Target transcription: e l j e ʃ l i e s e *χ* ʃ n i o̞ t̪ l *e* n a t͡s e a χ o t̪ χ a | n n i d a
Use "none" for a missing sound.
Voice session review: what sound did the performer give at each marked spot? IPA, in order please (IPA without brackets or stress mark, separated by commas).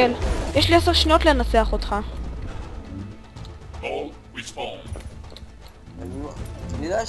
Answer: ʁ, e